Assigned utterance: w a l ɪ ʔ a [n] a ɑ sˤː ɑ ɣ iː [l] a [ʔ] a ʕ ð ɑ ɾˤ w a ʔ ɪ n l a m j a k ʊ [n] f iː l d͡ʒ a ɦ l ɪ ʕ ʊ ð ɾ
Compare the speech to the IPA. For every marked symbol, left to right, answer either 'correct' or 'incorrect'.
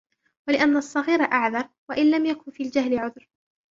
incorrect, incorrect, correct, correct

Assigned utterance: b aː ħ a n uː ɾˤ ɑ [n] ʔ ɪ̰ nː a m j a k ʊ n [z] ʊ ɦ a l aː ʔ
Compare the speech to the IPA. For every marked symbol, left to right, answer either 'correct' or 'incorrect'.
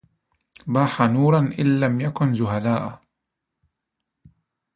correct, correct

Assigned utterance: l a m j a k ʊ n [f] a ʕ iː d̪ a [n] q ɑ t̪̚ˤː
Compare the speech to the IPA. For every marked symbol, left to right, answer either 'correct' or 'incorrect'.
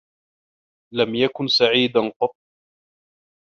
incorrect, correct

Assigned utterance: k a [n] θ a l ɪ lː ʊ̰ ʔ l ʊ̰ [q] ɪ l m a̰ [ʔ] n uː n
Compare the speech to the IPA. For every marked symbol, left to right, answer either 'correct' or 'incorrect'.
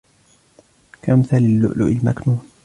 incorrect, incorrect, incorrect

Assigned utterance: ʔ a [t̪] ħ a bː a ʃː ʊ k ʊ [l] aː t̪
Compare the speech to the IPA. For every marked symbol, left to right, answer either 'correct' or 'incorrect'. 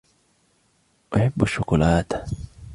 incorrect, correct

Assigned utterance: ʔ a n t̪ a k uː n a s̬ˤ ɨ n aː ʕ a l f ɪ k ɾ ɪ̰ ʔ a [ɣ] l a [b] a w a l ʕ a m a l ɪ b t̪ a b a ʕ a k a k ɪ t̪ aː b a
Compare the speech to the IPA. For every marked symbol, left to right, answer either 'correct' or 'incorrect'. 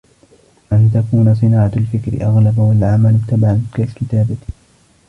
correct, correct

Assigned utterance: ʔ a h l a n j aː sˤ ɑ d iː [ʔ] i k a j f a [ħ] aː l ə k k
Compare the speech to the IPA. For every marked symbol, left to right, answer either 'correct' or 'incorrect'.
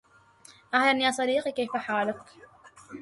incorrect, correct

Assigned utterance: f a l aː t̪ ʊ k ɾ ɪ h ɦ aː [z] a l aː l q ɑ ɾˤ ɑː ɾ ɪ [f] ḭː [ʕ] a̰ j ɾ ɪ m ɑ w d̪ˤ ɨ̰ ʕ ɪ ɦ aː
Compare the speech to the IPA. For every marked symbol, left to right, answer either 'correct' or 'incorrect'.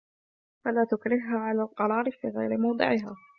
incorrect, correct, incorrect

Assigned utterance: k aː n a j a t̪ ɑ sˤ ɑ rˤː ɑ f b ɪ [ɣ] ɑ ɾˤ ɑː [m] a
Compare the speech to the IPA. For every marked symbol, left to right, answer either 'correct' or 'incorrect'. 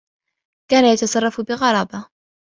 correct, incorrect

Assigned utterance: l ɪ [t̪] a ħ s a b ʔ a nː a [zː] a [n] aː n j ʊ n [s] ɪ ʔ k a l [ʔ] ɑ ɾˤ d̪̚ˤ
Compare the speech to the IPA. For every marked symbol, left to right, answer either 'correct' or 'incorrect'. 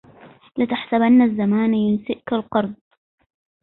correct, correct, incorrect, correct, incorrect

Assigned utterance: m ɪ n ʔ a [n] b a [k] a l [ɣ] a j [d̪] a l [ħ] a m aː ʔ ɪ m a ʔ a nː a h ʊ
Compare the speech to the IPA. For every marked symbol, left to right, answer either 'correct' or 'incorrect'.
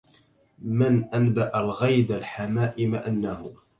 correct, incorrect, correct, correct, correct

